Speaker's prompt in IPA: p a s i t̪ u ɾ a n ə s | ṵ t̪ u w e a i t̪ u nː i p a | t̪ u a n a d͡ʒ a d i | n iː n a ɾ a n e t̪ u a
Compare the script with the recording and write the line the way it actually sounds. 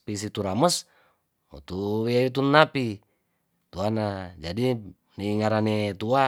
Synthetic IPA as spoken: p i s i t̪ u ɾ a m ə s | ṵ t̪ u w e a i t̪ u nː a p i | t̪ u a n a d͡ʒ a d i | n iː ŋ a ɾ a n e t̪ u a